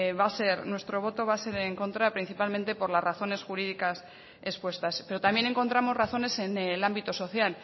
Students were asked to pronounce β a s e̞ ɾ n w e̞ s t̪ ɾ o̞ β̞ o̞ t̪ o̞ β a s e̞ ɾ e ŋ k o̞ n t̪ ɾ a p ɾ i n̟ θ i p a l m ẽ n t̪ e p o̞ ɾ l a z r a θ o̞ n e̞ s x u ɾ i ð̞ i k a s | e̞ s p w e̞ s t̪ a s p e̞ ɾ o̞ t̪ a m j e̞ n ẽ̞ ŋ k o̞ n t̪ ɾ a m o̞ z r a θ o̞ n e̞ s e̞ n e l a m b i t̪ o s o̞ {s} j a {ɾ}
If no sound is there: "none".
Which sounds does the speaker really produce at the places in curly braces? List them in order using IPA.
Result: θ, l

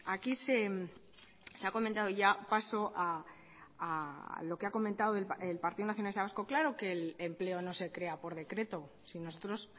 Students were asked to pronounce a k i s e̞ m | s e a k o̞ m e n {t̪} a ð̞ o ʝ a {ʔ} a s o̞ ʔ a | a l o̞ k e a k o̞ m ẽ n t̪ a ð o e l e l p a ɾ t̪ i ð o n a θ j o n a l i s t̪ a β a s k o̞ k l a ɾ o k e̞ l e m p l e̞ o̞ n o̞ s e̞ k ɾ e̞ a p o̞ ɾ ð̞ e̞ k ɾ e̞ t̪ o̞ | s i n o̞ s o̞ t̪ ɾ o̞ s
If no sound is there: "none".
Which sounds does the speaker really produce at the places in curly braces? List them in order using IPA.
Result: t̪, p

